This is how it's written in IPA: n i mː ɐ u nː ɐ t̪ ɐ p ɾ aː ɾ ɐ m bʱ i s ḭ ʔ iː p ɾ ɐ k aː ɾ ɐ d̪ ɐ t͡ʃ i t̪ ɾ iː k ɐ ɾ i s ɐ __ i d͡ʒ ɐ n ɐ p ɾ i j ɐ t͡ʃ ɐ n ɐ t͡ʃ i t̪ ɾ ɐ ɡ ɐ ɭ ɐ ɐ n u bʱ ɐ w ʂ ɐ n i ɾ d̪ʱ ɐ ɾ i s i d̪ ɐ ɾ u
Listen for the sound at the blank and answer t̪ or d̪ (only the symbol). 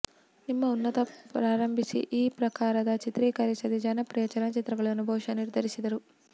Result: d̪